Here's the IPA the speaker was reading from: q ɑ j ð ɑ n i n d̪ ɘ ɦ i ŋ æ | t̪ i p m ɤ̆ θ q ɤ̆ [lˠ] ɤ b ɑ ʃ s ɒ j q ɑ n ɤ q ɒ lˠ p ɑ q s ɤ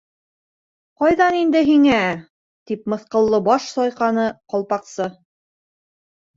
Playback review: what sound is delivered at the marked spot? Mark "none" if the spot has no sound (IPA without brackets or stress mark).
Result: lˠː